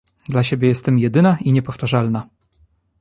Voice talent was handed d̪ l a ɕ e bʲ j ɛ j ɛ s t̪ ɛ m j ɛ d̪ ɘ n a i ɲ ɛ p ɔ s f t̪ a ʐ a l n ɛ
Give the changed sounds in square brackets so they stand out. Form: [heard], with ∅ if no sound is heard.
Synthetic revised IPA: d̪ l a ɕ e bʲ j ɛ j ɛ s t̪ ɛ m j ɛ d̪ ɘ n a i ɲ ɛ p ɔ [∅] f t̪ a ʐ a l n [a]